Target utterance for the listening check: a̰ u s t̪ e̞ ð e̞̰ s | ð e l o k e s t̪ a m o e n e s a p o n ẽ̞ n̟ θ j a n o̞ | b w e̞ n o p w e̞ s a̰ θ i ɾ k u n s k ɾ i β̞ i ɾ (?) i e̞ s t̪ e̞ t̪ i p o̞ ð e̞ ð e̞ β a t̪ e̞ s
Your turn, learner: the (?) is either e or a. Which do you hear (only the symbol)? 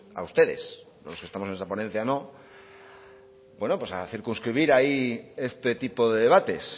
a